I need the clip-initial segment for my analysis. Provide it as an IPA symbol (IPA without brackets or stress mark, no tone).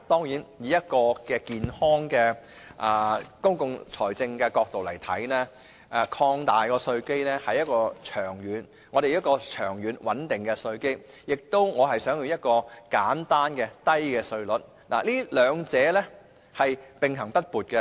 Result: t̪